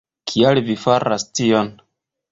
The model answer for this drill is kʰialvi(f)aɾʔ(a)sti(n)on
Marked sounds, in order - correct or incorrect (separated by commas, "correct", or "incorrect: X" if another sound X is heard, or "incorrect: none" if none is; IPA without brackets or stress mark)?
correct, correct, incorrect: none